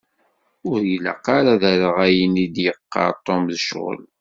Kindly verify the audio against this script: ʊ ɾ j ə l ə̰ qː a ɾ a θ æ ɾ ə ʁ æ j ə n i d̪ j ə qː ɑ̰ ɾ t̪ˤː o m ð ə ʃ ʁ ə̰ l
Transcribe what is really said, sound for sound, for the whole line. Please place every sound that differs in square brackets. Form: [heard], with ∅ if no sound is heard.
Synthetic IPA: ʊ ɾ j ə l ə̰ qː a ɾ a [ð] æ ɾ ə ʁ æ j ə n i d̪ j ə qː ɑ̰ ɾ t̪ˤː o m ð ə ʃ ʁ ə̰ l